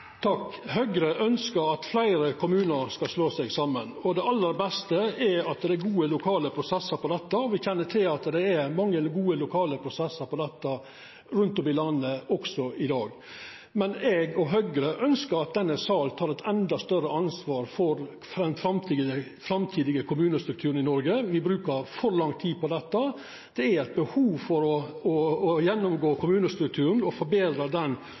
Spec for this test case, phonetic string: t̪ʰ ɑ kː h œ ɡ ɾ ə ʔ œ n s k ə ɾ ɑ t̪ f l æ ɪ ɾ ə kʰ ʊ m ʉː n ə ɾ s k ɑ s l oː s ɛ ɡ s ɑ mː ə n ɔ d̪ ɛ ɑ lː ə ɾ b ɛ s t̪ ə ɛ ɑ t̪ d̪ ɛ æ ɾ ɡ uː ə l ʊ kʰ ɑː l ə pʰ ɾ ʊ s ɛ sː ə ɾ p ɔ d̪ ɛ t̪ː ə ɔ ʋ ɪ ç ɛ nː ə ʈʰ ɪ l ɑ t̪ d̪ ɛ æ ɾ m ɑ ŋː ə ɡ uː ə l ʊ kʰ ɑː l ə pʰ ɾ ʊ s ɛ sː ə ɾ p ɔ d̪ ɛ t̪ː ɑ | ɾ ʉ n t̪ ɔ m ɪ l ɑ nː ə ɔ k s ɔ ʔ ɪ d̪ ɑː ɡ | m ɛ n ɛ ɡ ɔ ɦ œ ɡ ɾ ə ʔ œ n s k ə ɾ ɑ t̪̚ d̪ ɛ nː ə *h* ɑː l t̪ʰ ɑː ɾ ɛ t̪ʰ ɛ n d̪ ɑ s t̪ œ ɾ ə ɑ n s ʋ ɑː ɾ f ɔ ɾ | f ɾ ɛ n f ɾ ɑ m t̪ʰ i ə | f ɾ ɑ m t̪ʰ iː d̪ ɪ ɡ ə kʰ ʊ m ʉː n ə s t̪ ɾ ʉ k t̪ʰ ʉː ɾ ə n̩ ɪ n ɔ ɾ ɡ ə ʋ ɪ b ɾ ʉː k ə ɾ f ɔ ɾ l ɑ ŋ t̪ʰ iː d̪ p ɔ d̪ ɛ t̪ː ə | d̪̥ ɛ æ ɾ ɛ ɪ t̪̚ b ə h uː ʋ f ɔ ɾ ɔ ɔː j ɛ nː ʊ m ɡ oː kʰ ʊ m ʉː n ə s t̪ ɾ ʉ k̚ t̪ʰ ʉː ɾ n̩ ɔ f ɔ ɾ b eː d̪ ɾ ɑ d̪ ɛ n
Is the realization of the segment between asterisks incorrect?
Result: yes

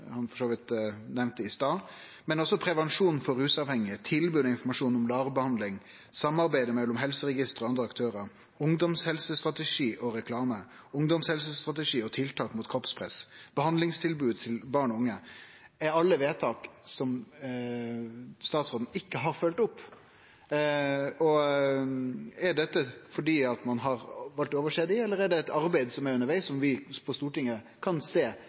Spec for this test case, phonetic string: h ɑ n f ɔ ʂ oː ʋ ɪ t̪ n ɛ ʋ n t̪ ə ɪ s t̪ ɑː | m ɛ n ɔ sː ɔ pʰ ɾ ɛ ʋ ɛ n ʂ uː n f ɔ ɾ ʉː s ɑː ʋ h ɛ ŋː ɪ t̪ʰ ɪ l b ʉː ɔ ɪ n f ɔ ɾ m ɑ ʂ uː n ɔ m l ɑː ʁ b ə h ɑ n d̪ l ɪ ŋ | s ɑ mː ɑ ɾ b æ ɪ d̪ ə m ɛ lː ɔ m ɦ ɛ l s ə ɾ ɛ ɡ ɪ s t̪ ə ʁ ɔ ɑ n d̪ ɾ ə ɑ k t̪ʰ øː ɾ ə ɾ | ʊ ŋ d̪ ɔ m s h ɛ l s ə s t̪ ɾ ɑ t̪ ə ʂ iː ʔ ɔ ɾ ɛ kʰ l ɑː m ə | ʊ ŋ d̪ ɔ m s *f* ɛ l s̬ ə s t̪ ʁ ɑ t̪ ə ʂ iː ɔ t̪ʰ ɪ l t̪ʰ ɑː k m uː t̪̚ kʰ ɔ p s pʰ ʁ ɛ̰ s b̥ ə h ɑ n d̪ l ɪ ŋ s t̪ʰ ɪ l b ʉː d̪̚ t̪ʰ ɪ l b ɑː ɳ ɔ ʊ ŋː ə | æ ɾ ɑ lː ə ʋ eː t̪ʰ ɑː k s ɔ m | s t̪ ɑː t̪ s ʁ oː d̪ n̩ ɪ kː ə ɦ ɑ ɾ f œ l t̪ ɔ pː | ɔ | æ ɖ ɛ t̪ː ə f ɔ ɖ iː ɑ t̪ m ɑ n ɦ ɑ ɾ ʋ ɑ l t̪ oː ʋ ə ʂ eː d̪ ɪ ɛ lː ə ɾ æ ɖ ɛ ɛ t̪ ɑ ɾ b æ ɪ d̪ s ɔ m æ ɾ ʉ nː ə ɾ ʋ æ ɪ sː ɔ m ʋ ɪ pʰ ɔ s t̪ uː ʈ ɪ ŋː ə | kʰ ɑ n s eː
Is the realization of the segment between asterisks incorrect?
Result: yes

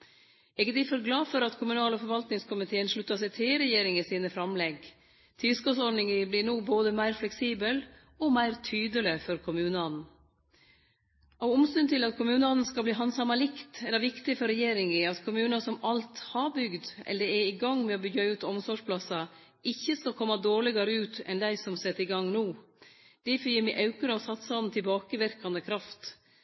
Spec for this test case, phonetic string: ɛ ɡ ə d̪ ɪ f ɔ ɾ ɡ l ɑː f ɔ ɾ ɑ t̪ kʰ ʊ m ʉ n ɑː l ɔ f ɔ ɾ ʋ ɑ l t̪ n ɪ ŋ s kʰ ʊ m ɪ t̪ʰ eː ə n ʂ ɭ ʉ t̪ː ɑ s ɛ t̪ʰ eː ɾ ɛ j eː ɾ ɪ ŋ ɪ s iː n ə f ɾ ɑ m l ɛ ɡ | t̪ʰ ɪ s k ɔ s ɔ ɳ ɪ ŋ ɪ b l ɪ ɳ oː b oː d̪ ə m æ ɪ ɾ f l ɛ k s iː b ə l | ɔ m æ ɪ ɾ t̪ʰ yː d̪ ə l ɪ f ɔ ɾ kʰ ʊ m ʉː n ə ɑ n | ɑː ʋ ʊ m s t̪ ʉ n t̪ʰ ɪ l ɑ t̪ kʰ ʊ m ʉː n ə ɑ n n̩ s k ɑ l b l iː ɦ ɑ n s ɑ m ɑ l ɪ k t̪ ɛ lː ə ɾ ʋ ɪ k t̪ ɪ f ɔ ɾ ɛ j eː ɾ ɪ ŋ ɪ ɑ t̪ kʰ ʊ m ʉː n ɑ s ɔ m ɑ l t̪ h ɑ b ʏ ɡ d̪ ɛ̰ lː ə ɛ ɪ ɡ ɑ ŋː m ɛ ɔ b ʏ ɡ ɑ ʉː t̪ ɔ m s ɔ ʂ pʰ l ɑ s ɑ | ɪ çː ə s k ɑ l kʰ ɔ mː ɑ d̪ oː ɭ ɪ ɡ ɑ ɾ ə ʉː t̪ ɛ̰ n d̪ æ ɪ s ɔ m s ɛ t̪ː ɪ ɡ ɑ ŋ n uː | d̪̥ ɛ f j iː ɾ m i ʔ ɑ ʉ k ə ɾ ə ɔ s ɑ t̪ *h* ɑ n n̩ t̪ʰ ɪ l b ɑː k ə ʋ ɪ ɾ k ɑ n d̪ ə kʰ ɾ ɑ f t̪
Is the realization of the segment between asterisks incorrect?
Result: yes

